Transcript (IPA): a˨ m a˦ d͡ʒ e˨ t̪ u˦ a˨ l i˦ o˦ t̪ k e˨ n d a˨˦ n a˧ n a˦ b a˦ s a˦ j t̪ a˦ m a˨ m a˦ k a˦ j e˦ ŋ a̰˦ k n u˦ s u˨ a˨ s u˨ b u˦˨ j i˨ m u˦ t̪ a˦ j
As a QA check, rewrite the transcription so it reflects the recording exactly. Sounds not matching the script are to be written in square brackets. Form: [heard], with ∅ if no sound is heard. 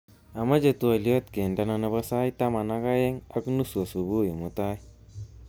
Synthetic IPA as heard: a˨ m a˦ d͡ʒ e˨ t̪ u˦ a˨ l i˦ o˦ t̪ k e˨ n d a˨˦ n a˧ n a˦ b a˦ s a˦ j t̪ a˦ m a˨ [n] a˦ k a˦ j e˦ ŋ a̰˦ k n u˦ s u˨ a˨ s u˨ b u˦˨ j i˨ m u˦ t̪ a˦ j